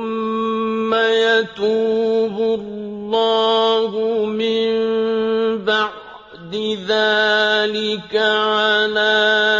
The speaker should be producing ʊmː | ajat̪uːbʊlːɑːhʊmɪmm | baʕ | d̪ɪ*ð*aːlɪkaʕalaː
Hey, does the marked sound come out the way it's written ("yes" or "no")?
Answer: yes